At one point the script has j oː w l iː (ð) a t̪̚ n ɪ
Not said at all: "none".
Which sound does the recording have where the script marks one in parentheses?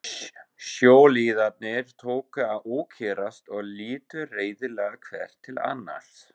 ð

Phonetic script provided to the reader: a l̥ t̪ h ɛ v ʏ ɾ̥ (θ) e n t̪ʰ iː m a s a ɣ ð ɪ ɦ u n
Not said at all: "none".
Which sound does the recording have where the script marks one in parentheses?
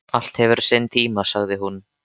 s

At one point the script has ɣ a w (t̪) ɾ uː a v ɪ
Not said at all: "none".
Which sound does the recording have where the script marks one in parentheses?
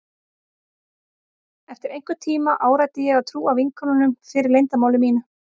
t̪ʰ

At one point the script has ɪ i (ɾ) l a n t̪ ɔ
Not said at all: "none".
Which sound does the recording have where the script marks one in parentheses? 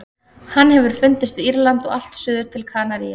ɾ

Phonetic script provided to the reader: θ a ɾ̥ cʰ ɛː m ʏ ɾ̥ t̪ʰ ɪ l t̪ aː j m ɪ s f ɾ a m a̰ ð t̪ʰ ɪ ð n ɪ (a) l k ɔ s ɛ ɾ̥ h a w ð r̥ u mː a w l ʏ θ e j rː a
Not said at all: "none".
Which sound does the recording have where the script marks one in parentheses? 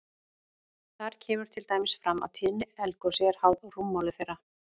ɛ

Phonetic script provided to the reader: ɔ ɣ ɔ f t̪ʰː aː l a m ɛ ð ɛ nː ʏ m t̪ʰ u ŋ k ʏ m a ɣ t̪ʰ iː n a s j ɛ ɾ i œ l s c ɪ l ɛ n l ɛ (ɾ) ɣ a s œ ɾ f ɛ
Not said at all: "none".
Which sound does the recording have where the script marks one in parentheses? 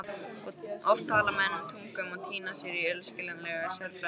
none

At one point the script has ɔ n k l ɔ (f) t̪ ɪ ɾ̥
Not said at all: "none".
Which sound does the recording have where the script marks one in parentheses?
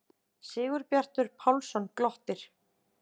h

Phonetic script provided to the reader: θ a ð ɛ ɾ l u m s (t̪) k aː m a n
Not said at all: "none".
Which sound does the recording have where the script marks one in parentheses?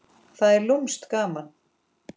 t̪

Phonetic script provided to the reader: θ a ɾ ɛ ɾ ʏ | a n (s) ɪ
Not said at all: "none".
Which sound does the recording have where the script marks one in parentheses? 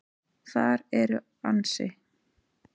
s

